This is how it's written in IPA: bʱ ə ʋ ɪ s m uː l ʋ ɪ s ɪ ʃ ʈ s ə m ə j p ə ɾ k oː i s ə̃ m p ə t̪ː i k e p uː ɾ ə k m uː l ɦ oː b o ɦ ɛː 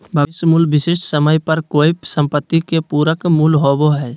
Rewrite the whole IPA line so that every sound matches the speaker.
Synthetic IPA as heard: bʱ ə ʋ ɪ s m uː l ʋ ɪ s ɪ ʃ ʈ s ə m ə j p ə ɾ k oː i s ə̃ m p ə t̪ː i k e p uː ɾ ə k m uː l ɦ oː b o ɦ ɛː